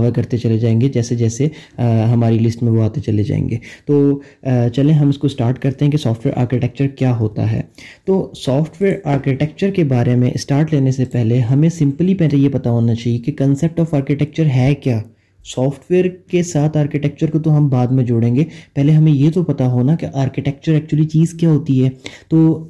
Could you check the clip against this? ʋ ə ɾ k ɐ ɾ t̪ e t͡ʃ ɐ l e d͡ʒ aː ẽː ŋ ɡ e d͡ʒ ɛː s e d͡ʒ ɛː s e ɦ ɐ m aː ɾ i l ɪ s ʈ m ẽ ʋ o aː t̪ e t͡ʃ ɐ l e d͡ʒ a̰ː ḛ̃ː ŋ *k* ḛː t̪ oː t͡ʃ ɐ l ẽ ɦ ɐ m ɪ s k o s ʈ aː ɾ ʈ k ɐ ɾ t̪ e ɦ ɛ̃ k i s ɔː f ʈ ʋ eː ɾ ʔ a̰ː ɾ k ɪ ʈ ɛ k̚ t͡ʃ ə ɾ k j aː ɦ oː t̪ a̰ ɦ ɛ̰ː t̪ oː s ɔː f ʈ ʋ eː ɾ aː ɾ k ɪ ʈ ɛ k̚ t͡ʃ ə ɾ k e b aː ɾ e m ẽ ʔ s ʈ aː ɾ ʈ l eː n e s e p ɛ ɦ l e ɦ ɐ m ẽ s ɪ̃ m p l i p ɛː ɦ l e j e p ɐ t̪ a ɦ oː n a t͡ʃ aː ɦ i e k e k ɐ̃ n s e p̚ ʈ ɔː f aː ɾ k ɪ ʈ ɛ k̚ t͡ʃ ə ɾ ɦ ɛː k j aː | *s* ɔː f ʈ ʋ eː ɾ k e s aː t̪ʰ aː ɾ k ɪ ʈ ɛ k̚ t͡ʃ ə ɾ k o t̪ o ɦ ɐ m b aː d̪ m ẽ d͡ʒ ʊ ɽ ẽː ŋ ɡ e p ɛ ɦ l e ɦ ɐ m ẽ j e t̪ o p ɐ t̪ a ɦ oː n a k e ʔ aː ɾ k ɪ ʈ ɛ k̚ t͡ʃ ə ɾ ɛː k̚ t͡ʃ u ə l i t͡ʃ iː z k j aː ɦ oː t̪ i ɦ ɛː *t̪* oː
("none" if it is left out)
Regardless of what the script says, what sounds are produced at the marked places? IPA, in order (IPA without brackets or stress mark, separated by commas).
ɡ, s, t̪